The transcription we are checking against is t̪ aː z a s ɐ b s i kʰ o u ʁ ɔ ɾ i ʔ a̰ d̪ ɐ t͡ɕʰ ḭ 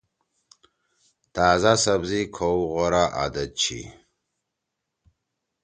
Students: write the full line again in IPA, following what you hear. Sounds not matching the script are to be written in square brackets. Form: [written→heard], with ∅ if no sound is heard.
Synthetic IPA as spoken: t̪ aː z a s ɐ b [s→z] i kʰ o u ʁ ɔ ɾ [i→a] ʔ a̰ d̪ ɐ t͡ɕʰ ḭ